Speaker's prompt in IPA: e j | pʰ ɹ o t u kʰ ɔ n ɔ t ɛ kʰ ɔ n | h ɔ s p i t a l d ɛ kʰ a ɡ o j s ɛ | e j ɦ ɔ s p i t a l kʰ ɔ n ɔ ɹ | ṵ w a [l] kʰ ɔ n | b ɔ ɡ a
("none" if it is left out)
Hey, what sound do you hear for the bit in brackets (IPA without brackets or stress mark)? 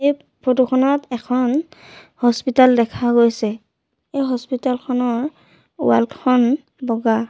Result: l